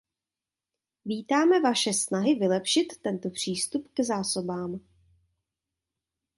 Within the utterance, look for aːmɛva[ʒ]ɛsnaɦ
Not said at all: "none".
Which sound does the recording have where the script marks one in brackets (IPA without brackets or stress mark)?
ʃ